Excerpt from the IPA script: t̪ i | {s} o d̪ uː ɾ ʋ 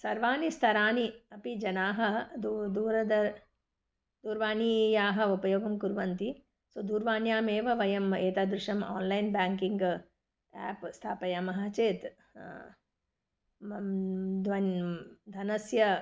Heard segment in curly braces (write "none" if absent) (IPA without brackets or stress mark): s